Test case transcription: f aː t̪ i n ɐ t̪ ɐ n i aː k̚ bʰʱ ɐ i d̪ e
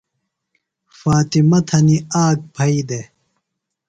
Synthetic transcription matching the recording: f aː t̪ i m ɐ t̪ʰ ɐ n i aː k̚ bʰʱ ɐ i d̪ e